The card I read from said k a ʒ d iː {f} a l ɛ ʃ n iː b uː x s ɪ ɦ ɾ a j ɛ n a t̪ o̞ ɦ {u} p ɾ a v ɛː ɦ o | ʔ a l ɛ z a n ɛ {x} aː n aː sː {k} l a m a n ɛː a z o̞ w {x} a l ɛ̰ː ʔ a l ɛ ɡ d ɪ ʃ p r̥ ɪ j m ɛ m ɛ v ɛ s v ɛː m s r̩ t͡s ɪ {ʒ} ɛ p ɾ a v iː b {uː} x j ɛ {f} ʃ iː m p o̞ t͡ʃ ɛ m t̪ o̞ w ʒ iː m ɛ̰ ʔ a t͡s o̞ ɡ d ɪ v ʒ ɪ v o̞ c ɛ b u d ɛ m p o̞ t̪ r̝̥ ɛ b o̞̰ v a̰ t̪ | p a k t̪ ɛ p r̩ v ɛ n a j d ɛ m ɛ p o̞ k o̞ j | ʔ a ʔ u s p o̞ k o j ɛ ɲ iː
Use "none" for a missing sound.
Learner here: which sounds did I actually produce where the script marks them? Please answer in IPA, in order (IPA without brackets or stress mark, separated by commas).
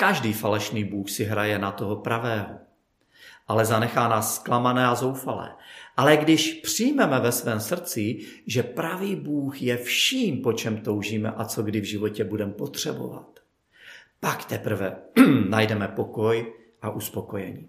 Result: f, o, x, k, f, ʒ, uː, f